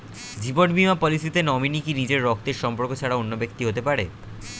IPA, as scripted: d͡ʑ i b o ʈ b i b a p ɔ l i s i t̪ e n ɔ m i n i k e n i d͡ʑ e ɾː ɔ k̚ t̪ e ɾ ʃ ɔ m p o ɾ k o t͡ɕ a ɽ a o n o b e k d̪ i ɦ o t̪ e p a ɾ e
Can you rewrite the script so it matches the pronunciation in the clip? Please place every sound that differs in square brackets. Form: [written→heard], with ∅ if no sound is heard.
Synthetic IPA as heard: d͡ʑ i b o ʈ b i [b→m] a p ɔ l i s i t̪ e n ɔ m i n i k [e→i] n i d͡ʑ e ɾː ɔ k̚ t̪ e ɾ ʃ ɔ m p o ɾ k o [t͡ɕ→t͡ɕʰ] a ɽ a o [n→nː] o b e k [d̪→t̪] i ɦ o t̪ e p a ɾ e